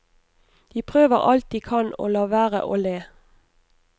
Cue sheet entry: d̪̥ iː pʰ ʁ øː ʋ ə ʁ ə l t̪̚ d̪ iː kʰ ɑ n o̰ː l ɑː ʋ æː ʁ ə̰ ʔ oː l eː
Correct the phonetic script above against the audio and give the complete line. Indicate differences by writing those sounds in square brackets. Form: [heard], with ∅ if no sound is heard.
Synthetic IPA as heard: d̪̥ iː pʰ ʁ øː ʋ ə ʁ [ɑ] l t̪̚ d̪ iː kʰ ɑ n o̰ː l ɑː ʋ æː ʁ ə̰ ʔ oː l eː